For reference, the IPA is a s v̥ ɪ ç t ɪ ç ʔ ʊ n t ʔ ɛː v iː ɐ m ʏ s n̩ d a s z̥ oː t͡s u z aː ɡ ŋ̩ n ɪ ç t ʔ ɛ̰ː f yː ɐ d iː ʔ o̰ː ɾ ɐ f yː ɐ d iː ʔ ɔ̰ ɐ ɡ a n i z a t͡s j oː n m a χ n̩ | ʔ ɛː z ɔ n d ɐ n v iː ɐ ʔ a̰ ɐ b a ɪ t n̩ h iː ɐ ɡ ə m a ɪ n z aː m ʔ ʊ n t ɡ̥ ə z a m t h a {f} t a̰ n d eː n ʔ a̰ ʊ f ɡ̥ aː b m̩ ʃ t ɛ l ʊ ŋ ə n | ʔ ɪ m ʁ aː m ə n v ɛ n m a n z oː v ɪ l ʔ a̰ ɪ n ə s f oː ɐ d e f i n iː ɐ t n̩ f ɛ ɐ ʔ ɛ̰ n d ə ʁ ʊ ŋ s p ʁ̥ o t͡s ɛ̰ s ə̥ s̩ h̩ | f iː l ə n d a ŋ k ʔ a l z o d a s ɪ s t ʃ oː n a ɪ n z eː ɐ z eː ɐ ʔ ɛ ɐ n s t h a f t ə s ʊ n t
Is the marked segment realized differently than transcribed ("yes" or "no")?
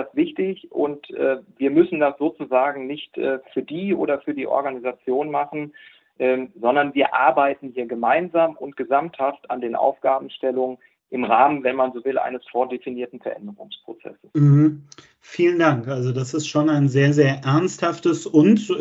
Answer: no